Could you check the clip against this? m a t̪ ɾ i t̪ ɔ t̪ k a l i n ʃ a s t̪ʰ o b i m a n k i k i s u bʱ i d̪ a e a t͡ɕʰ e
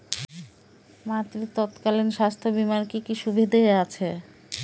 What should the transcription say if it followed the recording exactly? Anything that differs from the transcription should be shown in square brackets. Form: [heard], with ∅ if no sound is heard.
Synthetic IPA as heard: m a t̪ ɾ i t̪ ɔ t̪ k a l i n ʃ a s t̪ʰ o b i m a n k i k i [ʃ] u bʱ i d̪ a e a t͡ɕʰ e